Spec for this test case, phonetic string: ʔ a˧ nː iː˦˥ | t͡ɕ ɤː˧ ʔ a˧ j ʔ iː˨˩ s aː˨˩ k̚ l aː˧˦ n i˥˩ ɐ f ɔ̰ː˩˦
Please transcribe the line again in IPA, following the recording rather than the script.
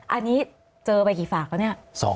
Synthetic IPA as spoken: ʔ a˧ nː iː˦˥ | t͡ɕ ɤː˧ p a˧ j k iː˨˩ f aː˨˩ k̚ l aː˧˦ n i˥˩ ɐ s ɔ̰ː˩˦